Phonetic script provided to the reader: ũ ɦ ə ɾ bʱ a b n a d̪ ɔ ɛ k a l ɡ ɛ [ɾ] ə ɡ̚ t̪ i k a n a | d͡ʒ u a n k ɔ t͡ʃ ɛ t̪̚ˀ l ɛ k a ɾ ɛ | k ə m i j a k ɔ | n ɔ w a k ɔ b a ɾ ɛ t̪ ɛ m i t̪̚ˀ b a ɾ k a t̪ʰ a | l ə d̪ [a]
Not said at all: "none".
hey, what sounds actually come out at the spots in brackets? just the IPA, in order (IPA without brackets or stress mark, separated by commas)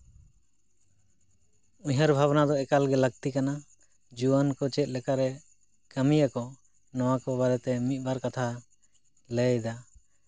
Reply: l, a